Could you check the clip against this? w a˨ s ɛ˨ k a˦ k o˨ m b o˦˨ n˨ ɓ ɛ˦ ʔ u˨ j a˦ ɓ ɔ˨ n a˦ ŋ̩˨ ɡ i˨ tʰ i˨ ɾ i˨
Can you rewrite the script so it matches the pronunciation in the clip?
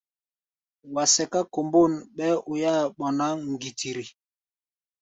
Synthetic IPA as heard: w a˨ s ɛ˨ k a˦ k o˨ m b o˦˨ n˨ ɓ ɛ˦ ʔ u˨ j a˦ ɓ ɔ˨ n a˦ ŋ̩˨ ɡ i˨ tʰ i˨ ɾ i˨